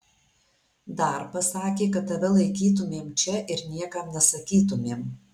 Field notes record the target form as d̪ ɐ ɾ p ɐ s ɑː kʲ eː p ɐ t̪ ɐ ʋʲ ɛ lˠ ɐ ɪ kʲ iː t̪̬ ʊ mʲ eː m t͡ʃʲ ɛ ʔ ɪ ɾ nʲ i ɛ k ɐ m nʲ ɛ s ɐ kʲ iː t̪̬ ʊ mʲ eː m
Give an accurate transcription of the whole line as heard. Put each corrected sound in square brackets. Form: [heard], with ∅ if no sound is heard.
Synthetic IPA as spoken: d̪ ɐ ɾ p ɐ s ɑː kʲ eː [k] ɐ t̪ ɐ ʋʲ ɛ lˠ ɐ ɪ kʲ iː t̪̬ ʊ mʲ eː m t͡ʃʲ ɛ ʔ ɪ ɾ nʲ i ɛ k ɐ m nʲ ɛ s ɐ kʲ iː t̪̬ ʊ mʲ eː m